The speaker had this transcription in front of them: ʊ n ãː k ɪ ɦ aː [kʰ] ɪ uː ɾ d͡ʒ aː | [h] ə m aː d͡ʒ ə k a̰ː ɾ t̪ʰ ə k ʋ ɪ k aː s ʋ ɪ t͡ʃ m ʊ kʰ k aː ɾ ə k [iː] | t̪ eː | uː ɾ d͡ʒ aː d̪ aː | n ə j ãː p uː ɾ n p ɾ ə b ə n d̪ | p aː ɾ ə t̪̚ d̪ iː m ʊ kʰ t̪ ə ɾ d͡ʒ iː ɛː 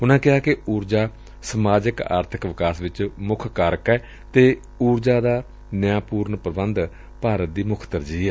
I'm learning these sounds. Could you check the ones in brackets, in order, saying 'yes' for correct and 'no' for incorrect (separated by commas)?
no, no, no